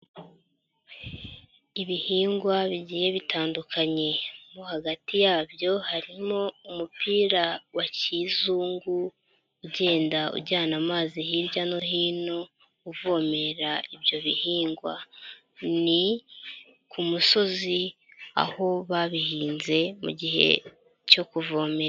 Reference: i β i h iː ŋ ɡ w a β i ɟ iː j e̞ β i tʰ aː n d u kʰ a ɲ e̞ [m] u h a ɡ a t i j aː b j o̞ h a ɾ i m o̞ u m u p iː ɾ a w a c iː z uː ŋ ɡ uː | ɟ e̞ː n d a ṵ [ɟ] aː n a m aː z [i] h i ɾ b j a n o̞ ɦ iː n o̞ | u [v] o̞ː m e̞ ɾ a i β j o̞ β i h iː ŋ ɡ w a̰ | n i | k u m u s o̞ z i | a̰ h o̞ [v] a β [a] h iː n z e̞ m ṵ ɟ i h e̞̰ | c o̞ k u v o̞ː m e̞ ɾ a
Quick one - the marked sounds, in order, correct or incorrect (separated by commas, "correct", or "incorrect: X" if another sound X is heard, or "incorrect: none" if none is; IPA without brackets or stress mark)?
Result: correct, correct, correct, correct, incorrect: β, incorrect: i